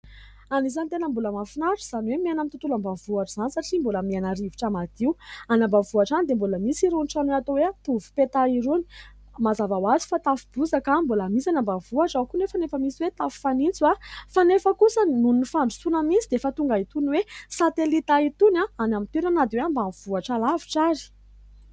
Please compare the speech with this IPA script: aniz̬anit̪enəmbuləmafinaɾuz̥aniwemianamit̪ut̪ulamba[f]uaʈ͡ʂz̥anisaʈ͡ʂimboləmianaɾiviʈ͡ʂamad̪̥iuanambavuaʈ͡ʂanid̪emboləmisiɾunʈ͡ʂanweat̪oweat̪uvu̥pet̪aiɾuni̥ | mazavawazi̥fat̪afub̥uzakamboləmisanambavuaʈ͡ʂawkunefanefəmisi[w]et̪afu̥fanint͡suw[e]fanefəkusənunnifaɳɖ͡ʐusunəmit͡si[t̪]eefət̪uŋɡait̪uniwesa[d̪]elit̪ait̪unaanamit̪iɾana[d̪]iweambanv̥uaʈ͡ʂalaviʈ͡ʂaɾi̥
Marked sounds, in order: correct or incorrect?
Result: incorrect, correct, incorrect, incorrect, incorrect, correct

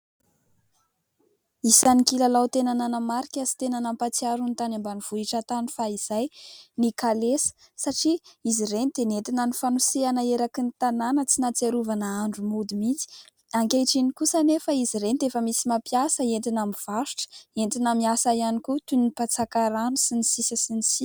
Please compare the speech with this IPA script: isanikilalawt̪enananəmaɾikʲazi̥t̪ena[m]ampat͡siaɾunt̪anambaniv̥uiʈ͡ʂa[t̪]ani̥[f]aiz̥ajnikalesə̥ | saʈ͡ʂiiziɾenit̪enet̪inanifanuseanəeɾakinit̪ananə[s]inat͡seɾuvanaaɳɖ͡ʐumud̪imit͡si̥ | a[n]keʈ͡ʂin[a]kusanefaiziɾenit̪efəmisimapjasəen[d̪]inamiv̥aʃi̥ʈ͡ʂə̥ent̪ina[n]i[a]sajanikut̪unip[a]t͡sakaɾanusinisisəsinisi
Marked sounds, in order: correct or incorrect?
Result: incorrect, correct, correct, incorrect, incorrect, incorrect, incorrect, incorrect, correct, correct

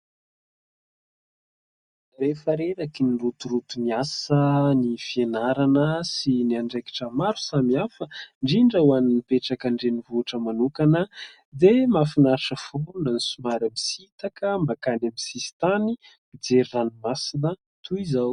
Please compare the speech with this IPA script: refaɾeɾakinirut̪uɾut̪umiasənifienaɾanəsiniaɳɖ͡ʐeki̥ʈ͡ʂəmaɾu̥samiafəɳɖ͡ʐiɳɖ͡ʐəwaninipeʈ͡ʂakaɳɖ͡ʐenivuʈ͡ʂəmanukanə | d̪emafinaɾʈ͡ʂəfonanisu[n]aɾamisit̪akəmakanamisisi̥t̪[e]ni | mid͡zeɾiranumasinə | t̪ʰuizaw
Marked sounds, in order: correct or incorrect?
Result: incorrect, incorrect

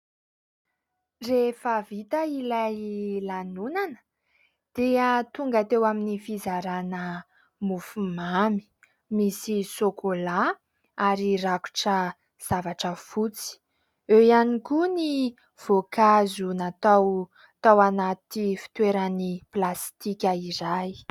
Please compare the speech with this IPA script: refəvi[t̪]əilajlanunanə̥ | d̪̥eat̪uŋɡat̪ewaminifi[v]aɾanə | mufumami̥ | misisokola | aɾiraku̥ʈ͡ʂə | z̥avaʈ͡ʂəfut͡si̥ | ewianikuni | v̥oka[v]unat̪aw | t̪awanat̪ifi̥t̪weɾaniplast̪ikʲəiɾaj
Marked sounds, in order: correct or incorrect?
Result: correct, incorrect, incorrect

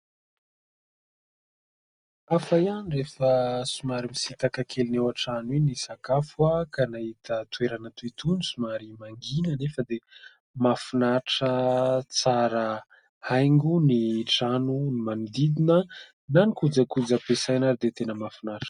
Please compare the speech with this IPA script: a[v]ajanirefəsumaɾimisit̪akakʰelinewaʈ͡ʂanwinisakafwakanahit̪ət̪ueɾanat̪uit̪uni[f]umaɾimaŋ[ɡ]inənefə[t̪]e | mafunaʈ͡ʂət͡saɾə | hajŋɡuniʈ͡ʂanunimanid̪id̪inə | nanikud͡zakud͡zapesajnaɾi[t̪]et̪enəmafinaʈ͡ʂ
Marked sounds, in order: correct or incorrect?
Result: incorrect, incorrect, correct, incorrect, incorrect

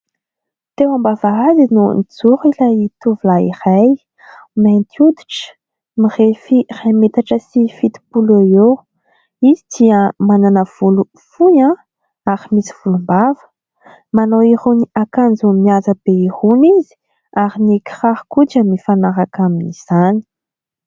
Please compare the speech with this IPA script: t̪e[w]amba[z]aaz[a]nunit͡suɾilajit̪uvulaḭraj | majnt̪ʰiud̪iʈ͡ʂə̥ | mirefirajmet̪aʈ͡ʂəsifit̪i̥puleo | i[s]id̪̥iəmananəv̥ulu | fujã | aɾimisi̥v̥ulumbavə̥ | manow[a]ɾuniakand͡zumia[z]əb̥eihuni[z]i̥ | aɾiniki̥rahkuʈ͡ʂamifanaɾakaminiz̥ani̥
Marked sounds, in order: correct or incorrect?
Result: correct, incorrect, incorrect, incorrect, incorrect, correct, correct

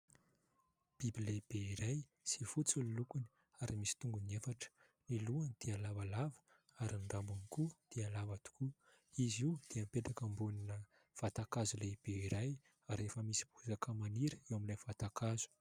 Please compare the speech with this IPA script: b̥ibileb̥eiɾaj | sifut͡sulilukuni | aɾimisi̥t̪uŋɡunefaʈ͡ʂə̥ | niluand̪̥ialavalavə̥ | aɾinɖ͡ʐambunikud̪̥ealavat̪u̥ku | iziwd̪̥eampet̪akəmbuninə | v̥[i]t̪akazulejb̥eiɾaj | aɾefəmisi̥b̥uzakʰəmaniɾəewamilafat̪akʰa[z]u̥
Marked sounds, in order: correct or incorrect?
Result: incorrect, correct

